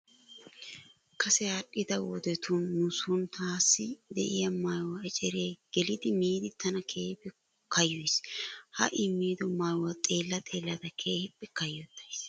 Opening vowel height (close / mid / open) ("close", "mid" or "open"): open